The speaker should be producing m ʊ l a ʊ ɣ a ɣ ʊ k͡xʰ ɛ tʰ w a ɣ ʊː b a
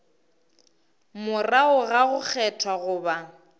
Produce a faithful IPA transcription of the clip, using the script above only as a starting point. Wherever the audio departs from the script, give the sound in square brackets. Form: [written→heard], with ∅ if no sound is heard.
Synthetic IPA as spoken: m ʊ [l→r] a ʊ ɣ a ɣ ʊ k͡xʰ ɛ tʰ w a ɣ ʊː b a